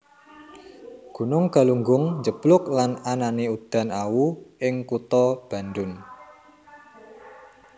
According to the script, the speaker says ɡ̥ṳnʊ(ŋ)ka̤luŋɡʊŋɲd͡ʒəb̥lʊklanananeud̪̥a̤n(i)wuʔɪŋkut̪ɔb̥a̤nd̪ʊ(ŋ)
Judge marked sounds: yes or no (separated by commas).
yes, no, no